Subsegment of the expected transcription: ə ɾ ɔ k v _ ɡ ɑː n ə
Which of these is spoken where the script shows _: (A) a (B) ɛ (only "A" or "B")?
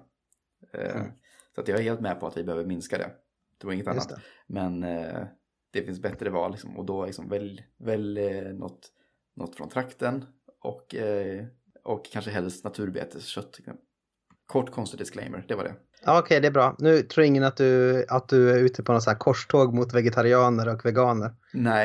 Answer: B